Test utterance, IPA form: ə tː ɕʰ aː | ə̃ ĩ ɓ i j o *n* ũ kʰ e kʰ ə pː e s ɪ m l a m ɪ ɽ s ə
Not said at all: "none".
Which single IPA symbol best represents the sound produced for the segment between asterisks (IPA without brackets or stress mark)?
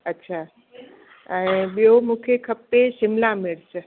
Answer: m